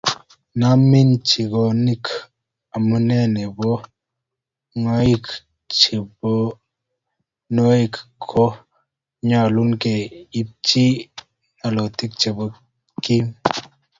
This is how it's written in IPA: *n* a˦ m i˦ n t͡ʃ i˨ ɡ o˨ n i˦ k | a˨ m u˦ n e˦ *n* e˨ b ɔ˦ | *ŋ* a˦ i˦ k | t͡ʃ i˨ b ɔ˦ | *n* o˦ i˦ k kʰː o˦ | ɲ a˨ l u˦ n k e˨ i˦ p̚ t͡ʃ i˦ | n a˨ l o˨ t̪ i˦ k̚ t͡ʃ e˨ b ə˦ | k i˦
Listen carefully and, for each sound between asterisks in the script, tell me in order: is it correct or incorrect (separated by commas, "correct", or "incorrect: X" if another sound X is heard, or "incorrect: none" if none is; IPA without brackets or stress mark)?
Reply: correct, correct, correct, correct